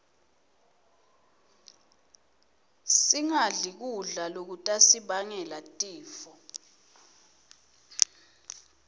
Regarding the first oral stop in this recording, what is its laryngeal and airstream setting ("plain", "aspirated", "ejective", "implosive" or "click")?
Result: plain